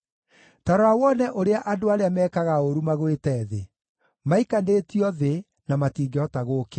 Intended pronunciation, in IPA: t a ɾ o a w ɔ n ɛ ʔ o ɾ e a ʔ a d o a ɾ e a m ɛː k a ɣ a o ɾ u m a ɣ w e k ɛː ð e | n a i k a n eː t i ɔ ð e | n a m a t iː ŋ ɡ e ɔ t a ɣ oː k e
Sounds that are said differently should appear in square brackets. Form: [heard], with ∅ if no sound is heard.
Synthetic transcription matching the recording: t a ɾ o a w ɔ n ɛ ʔ o ɾ e a ʔ a d o a ɾ e a m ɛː k a ɣ a o ɾ u m a ɣ w e [t] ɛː ð e | [m] a i k a n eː t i ɔ ð e | n a m a t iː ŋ ɡ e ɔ t a ɣ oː k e